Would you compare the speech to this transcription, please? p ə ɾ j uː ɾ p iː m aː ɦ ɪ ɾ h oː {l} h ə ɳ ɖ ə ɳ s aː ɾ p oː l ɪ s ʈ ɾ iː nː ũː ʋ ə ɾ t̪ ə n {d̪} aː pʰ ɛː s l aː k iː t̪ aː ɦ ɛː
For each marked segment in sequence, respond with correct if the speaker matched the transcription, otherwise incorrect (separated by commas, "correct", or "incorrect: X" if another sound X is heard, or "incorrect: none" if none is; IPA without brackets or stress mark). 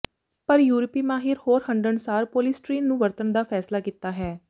incorrect: ɾ, correct